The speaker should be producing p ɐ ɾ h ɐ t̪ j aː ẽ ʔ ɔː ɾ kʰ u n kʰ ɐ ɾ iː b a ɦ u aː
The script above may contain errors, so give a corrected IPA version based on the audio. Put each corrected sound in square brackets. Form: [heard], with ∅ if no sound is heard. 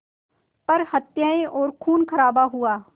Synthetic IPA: p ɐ ɾ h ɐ t̪ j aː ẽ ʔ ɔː ɾ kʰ [uː] n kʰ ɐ ɾ [aː] b a ɦ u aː